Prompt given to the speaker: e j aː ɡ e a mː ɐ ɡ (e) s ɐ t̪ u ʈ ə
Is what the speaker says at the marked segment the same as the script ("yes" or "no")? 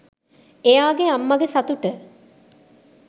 yes